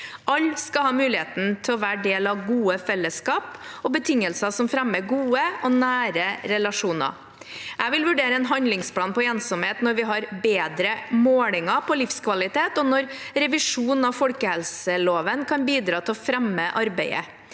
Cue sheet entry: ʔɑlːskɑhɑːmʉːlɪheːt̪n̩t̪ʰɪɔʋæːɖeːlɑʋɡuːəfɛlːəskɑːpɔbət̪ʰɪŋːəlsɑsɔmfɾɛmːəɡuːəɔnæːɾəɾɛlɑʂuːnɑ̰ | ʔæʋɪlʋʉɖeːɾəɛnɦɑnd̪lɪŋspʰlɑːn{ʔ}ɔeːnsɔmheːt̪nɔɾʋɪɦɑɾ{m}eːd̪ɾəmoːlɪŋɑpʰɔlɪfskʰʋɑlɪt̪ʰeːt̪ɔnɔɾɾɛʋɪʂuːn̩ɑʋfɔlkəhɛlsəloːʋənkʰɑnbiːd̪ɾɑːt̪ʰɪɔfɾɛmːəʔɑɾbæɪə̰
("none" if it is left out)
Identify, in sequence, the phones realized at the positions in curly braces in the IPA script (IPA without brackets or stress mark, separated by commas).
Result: p, b